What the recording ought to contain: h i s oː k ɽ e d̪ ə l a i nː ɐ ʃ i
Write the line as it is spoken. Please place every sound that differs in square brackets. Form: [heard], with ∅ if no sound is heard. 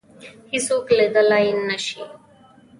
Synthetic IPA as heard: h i s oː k [l] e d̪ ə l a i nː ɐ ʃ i

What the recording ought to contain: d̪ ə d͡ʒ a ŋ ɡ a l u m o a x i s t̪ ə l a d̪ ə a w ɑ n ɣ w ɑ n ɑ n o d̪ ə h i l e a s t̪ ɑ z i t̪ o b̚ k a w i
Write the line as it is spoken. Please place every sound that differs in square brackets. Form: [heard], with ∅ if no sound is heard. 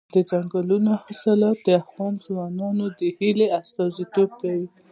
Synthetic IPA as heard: d̪ ə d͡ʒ a ŋ ɡ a l u [n] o a x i s t̪ ə l a d̪ ə a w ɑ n [z] w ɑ n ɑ n o d̪ ə h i l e a s t̪ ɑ z i t̪ o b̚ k a w i

